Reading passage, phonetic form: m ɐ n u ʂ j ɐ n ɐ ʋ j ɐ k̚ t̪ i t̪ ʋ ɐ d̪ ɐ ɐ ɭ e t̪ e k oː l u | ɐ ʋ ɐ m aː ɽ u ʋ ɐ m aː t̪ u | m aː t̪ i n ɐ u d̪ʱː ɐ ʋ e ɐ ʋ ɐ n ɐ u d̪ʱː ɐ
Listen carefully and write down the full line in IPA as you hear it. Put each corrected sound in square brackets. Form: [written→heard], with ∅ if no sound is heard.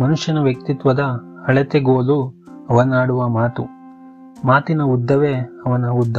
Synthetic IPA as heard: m ɐ n u ʂ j ɐ n ɐ ʋ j ɐ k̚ t̪ i t̪ ʋ ɐ d̪ ɐ ɐ ɭ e t̪ e [k→ɡ] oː l u | ɐ ʋ ɐ [m→n] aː ɽ u ʋ ɐ m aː t̪ u | m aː t̪ i n ɐ u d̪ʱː ɐ ʋ e ɐ ʋ ɐ n ɐ u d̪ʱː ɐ